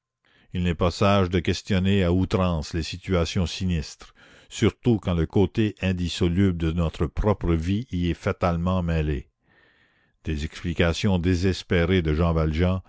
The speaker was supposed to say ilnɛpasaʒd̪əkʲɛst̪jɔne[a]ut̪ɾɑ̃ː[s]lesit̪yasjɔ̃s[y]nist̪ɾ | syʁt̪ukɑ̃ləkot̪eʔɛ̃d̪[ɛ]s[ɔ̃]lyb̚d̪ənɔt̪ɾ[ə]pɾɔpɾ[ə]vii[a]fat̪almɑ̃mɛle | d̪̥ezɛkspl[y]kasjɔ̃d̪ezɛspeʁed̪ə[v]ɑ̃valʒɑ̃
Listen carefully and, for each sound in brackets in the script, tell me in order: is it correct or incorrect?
correct, correct, incorrect: i, incorrect: i, incorrect: ɔ, correct, correct, incorrect: ɛ, incorrect: i, incorrect: ʒ

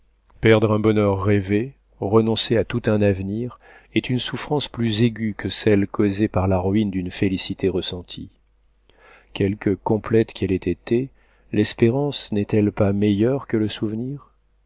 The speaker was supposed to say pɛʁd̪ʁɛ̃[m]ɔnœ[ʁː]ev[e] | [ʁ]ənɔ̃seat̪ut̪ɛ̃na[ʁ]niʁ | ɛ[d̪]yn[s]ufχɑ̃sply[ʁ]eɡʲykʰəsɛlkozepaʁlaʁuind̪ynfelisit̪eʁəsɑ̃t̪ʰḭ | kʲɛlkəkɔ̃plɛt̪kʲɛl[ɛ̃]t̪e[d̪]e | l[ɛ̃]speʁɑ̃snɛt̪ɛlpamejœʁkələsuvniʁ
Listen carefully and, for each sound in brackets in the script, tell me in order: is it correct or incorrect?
incorrect: b, correct, correct, correct, incorrect: v, incorrect: t̪, correct, incorrect: z, incorrect: ɛ, incorrect: t̪, incorrect: ɛ

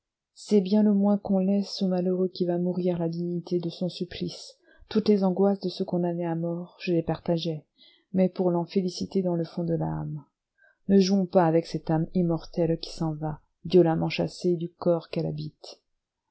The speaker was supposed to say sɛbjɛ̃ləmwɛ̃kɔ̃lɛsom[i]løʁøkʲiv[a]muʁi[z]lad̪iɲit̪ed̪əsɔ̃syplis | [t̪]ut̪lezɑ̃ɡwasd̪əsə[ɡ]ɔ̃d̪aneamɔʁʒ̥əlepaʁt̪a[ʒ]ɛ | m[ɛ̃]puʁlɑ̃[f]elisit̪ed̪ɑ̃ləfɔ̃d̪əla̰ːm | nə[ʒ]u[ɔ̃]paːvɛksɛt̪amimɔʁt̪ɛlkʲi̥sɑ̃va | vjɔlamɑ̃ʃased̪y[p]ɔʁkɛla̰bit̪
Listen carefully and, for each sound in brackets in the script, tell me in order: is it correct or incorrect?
incorrect: a, correct, incorrect: ʁ, correct, incorrect: k, correct, incorrect: ɛ, correct, correct, correct, incorrect: k

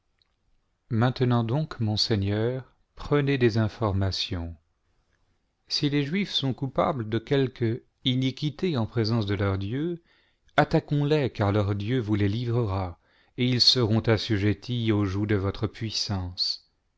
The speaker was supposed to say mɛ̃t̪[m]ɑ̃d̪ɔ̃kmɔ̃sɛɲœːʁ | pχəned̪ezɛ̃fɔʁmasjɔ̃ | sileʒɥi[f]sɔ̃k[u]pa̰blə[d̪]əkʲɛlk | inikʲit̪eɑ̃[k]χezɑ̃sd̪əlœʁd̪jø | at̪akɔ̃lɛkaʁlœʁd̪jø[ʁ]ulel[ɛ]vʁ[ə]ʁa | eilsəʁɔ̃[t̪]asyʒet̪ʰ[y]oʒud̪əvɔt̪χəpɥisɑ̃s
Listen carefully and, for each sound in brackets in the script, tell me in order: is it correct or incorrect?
incorrect: n, correct, correct, correct, incorrect: p, incorrect: v, incorrect: i, correct, correct, incorrect: i

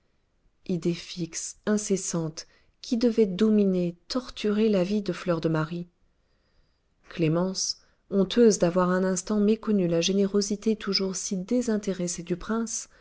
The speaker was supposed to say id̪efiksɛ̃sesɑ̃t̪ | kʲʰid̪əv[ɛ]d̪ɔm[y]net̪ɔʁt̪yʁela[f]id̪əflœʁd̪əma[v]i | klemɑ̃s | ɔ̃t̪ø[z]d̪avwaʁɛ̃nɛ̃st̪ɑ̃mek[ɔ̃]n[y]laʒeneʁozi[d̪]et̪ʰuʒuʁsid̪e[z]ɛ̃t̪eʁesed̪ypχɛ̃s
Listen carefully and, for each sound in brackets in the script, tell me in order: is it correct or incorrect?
correct, incorrect: i, incorrect: v, incorrect: ʁ, correct, incorrect: ɔ, correct, incorrect: t̪, correct

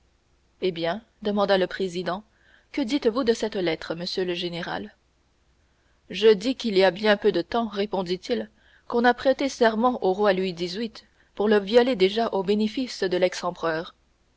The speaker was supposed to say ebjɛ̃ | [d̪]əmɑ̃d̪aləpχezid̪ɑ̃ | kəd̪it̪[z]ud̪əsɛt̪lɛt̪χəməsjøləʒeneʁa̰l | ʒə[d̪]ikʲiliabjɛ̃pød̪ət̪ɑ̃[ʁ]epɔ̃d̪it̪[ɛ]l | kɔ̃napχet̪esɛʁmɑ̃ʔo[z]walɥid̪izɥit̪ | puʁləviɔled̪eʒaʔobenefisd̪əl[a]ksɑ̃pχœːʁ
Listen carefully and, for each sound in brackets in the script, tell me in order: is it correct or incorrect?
correct, incorrect: v, correct, correct, incorrect: i, incorrect: ʁ, incorrect: ɛ

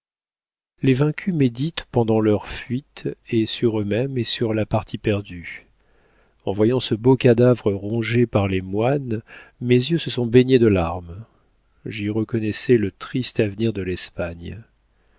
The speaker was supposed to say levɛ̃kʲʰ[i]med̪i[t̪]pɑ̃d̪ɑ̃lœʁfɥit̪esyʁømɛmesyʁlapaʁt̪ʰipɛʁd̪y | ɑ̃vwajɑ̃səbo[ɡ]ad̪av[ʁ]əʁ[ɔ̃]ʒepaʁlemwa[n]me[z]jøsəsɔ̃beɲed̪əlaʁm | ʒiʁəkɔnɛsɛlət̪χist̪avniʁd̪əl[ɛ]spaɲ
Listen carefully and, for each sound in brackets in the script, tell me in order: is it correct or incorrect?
incorrect: y, correct, incorrect: k, correct, correct, correct, correct, correct

